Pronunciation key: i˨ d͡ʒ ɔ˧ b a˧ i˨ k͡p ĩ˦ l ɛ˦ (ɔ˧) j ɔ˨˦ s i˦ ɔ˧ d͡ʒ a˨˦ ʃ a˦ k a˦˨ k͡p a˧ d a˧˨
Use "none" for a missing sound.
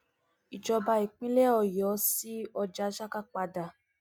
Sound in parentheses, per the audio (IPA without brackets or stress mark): ɔ˧